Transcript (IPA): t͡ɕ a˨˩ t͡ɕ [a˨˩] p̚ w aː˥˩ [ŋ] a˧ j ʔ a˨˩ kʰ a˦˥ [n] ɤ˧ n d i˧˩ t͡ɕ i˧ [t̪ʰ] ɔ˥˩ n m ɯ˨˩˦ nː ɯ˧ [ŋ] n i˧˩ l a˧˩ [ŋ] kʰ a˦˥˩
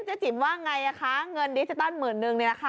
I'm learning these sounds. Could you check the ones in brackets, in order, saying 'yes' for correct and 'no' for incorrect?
no, yes, no, no, yes, no

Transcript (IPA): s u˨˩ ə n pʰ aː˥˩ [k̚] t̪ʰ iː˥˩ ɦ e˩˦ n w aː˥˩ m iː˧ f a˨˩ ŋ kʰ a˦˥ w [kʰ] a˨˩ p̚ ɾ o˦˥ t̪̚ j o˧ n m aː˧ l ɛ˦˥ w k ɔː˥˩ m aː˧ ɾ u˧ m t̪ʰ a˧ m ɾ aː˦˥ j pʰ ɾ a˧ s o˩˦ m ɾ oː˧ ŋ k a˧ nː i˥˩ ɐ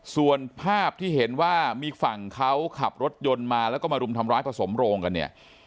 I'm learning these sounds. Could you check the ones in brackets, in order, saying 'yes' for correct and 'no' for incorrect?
no, yes

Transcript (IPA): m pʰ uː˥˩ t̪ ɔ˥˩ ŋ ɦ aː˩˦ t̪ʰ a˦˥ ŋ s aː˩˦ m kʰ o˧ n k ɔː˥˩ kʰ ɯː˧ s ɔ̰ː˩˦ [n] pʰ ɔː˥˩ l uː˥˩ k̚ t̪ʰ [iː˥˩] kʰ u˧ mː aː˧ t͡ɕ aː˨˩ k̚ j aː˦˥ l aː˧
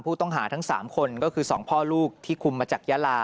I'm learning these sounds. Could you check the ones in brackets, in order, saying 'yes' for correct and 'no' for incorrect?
no, yes

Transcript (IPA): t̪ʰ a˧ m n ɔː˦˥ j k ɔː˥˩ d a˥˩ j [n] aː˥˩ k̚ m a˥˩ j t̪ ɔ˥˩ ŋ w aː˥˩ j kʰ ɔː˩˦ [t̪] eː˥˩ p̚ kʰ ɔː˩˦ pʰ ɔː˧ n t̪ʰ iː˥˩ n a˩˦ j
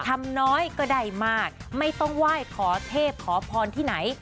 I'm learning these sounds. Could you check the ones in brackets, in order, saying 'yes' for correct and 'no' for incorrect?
no, no

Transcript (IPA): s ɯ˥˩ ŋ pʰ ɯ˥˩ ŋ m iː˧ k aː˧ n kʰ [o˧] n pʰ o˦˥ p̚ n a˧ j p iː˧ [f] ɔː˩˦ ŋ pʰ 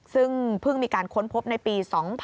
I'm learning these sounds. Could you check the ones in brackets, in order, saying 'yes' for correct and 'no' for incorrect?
no, no

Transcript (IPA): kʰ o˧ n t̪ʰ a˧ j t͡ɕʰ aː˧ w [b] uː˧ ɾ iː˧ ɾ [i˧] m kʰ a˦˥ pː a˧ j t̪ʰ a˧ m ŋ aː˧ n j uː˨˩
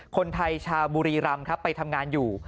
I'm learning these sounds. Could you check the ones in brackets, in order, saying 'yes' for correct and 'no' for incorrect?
yes, no

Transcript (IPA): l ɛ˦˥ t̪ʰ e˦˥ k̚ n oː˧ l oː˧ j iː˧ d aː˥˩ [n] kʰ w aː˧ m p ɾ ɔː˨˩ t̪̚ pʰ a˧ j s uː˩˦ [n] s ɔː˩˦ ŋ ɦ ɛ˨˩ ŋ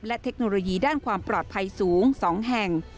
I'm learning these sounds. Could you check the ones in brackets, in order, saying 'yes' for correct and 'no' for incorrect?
yes, no

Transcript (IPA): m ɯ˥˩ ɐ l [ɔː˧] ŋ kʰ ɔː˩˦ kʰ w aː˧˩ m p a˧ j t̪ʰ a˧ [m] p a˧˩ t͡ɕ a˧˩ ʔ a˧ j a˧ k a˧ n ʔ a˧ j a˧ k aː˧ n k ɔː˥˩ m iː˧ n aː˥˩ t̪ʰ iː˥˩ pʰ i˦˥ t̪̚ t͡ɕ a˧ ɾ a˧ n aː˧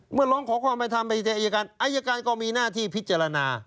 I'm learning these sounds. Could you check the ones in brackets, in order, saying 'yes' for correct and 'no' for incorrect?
no, yes

